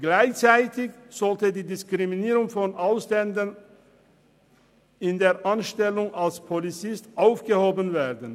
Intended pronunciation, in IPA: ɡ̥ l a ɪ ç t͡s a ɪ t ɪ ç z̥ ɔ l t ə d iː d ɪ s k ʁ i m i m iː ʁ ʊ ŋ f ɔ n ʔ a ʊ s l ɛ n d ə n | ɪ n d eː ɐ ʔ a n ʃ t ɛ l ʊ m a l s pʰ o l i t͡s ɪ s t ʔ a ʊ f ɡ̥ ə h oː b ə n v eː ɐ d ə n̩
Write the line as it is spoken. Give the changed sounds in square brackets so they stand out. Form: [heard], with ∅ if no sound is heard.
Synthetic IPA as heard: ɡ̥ l a ɪ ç t͡s a ɪ t ɪ ç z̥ ɔ l t ə d iː d ɪ s k ʁ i m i [n] iː ʁ ʊ ŋ f ɔ n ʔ a ʊ s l ɛ n d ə n | ɪ n d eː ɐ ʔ a n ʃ t ɛ l ʊ [ŋ] a l s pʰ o l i t͡s ɪ s t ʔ a ʊ f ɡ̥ ə h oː b ə n v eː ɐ d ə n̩